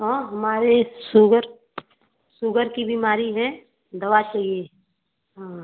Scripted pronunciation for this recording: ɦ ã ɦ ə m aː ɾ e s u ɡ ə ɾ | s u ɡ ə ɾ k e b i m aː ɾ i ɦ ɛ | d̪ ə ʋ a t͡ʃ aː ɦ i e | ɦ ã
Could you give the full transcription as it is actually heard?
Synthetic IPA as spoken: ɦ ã ɦ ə m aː ɾ e s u ɡ ə ɾ | s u ɡ ə ɾ k i b i m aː ɾ i ɦ ɛ | d̪ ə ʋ a t͡ʃ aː ɦ i e | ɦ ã